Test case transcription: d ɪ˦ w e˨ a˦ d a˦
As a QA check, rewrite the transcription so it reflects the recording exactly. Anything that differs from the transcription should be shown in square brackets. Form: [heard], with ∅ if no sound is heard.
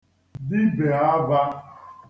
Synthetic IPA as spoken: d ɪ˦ [b] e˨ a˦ [b] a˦